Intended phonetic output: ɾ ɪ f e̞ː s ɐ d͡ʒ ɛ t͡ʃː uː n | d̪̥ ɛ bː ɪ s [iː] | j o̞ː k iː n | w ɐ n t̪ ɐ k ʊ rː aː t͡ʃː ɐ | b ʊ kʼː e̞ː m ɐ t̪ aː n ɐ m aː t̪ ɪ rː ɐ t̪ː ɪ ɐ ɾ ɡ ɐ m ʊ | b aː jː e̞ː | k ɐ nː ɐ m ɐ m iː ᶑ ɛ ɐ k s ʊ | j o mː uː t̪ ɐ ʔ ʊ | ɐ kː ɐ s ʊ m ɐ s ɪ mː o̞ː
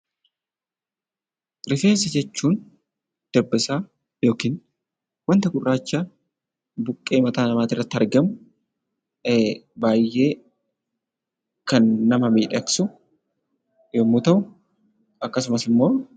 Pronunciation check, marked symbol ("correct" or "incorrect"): incorrect